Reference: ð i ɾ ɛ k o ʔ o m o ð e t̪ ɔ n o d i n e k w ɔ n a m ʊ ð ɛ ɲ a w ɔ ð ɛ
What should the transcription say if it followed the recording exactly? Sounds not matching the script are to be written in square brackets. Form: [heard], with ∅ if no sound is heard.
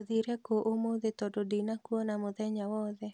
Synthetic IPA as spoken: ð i ɾ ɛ k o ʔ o m o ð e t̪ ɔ [d] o d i n [a] k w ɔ n a m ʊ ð ɛ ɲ a w ɔ ð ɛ